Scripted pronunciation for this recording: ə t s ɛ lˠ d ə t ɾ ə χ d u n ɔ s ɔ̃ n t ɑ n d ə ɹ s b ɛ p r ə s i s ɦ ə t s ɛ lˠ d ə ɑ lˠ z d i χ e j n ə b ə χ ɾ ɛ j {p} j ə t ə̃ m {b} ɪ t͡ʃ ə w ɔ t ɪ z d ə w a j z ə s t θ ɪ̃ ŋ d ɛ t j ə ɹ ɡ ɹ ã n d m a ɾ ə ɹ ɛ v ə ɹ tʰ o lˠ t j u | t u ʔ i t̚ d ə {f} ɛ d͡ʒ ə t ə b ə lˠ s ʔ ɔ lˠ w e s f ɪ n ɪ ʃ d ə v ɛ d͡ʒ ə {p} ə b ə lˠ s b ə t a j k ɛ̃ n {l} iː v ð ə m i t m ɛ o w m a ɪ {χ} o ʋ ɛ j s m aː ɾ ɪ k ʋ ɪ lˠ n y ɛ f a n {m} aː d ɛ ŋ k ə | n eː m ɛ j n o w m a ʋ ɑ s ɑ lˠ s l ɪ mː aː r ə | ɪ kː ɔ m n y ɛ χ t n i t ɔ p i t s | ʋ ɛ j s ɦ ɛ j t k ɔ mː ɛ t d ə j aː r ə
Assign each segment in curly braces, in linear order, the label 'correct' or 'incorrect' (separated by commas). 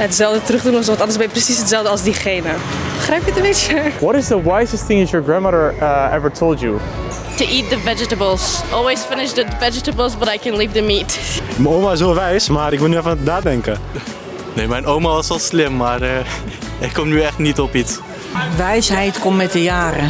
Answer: correct, correct, incorrect, incorrect, correct, incorrect, incorrect